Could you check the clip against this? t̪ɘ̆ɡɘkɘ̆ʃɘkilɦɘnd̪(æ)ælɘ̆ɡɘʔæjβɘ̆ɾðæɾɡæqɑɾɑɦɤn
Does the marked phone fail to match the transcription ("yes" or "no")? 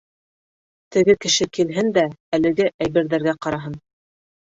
no